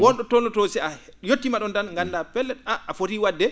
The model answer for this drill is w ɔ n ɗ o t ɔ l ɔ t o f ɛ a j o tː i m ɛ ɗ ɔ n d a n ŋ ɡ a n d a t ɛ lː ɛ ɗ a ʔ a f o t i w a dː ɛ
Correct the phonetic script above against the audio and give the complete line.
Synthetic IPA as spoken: w ɔ n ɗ ɔ t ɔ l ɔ t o s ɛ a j o tː i m a ɗ ɔ n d a n ŋ ɡ a n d a p ɛ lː ɛ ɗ a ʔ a f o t i w a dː ɛ